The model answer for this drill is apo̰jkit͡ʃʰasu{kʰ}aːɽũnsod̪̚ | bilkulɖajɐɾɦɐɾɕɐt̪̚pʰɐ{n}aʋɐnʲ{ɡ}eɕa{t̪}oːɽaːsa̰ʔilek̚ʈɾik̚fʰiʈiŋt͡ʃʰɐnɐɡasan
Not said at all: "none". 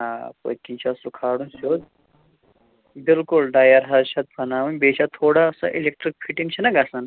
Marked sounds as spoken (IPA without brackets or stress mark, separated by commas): kʰ, n, b, t̪ʰ